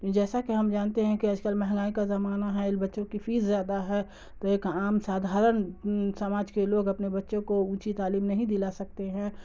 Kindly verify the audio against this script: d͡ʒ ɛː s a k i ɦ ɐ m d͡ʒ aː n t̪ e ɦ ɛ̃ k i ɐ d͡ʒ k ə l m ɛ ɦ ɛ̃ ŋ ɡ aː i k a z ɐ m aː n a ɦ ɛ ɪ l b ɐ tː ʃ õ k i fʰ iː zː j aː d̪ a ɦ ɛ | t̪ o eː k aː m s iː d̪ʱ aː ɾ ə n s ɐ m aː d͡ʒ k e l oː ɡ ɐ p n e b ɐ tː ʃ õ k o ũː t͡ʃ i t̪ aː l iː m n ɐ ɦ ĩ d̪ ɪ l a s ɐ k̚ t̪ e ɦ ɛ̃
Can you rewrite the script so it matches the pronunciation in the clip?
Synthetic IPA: d͡ʒ ɛː s a k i ɦ ɐ m d͡ʒ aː n t̪ e ɦ ɛ̃ k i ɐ d͡ʒ k ə l m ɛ ɦ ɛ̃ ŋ ɡ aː i k a z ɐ m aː n a ɦ ɛ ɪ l b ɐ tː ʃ õ k i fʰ iː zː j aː d̪ a ɦ ɛ | t̪ o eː k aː m s aː d̪ʱ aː ɾ ə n s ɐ m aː d͡ʒ k e l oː ɡ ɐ p n e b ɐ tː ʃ õ k o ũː t͡ʃ i t̪ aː l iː m n ɐ ɦ ĩ d̪ ɪ l a s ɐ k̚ t̪ e ɦ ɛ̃